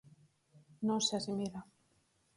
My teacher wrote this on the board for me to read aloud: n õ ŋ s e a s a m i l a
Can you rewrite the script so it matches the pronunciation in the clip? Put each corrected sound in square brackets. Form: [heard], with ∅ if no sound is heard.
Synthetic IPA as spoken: n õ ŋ s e a s [i] m i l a